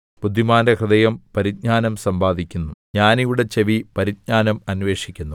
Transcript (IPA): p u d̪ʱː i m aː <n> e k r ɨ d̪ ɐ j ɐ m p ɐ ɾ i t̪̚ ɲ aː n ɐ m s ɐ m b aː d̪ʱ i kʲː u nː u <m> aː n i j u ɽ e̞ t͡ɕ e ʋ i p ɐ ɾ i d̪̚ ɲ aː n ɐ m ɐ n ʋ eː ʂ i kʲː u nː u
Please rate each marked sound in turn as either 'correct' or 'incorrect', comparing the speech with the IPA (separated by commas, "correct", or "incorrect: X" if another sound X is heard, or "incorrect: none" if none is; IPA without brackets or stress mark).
correct, incorrect: ɲ